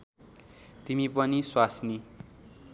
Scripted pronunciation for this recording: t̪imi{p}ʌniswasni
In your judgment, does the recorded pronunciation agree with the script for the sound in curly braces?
yes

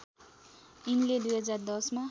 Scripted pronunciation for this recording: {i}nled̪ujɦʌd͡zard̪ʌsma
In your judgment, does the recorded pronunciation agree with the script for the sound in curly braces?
yes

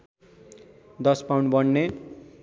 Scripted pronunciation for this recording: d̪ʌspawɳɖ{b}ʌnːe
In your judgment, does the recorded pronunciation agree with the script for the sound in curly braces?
yes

